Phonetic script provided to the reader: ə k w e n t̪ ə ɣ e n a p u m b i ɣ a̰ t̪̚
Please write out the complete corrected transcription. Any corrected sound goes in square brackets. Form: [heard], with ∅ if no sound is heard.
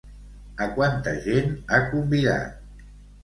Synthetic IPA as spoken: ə k w [a] n t̪ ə [ʒ] e n a [k] u m b i [ð] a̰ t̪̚

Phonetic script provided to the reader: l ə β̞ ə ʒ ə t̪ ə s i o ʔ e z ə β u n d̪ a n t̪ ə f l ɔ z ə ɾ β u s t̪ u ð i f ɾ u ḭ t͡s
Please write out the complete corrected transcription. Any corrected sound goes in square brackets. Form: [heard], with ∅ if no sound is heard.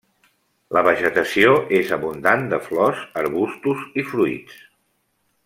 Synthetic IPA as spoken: l ə β̞ ə ʒ ə t̪ ə s i o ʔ e z ə β u n d̪ a n [d̪] ə f l ɔ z ə ɾ β u s t̪ u [z] i f ɾ u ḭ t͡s

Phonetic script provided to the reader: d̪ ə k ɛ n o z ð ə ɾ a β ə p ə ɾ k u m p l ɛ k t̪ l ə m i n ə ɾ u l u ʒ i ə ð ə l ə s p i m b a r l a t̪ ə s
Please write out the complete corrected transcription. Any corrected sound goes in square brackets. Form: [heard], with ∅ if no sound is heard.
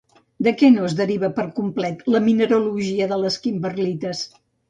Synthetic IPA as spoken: d̪ ə k ɛ n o z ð ə ɾ [i] β ə p ə ɾ k u m p l ɛ [∅] t̪ l ə m i n ə ɾ u l u ʒ i ə ð ə l ə s [k] i m b [ə] r l [i] t̪ ə s

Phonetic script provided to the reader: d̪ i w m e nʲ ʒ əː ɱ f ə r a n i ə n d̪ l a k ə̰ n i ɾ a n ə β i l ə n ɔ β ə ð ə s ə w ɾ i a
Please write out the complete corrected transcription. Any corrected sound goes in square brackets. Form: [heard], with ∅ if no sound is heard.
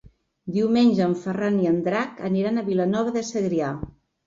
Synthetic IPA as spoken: d̪ i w m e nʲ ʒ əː ɱ f ə r a n i ə n d̪ [ɾ] a k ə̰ n i ɾ a n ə β i l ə n ɔ β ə ð ə s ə [ɣ] ɾ i a

